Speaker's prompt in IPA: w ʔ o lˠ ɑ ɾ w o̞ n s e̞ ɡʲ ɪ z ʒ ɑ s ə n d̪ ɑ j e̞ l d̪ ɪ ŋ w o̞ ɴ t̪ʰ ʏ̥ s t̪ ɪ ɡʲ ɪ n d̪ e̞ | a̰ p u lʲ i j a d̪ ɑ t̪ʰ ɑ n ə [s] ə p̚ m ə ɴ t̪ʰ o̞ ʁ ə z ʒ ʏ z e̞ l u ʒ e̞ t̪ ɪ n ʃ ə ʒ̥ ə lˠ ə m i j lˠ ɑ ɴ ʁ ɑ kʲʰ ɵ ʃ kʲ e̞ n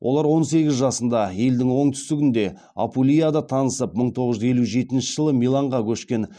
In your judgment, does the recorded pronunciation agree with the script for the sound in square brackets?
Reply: yes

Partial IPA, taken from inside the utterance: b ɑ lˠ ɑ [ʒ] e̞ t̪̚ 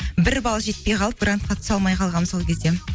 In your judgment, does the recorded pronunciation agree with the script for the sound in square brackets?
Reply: yes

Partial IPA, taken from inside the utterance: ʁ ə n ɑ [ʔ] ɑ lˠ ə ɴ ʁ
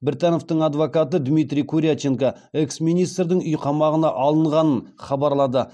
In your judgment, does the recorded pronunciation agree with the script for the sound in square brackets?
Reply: yes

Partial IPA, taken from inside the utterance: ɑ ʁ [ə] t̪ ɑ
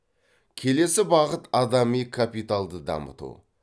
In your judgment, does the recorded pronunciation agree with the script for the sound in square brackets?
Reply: yes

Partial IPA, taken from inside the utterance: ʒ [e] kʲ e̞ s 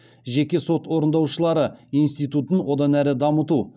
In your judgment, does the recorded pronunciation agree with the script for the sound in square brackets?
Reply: yes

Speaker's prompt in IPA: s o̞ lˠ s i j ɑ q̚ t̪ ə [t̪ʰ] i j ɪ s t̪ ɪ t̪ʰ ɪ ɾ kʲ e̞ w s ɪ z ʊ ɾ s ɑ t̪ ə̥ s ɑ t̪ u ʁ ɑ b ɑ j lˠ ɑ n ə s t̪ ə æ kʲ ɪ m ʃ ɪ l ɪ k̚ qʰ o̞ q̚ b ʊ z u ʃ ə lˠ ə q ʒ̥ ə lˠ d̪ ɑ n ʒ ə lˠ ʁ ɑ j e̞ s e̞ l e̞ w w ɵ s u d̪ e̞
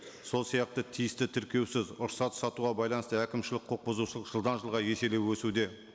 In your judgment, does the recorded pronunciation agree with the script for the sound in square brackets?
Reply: yes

